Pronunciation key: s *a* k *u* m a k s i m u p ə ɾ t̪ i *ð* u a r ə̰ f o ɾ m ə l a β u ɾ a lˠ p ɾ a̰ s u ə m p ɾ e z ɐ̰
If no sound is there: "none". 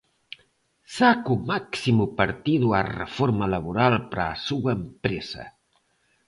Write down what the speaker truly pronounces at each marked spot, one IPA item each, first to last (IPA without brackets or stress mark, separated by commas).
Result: a, u, ð